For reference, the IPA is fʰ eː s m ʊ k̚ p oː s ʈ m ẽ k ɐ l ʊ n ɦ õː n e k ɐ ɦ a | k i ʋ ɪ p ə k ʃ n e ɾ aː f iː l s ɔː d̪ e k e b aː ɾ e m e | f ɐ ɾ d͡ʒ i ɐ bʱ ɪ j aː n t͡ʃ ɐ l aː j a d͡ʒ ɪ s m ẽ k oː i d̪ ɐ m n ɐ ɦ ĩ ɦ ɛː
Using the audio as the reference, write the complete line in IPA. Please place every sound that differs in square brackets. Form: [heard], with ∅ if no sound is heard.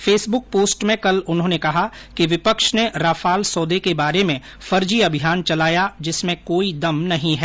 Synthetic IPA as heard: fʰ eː s [b] ʊ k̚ p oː s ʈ m ẽ k ɐ l ʊ n ɦ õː n e k ɐ ɦ a | k i ʋ ɪ p ə k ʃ n e ɾ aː f [aː] l s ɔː d̪ e k e b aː ɾ e m [ẽ] | f ɐ ɾ d͡ʒ i ɐ bʱ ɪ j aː n t͡ʃ ɐ l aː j a d͡ʒ ɪ s m ẽ k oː i d̪ ɐ m n ɐ ɦ ĩ ɦ ɛː